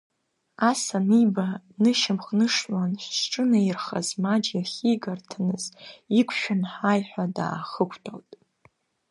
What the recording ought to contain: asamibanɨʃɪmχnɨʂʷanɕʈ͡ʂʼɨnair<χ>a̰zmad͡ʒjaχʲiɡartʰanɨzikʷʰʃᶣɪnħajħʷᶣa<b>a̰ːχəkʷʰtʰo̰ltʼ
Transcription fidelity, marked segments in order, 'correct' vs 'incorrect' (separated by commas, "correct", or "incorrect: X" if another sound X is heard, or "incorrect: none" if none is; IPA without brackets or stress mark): correct, incorrect: d